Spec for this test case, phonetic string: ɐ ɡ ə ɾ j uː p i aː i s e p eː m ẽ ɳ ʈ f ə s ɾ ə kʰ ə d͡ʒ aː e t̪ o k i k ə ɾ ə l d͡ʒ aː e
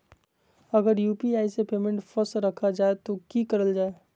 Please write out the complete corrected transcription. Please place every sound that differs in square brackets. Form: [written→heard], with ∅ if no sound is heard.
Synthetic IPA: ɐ ɡ ə ɾ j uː p i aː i s e p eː m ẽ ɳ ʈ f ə s ɾ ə kʰ [ə→a] d͡ʒ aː e t̪ o k i k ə ɾ ə l d͡ʒ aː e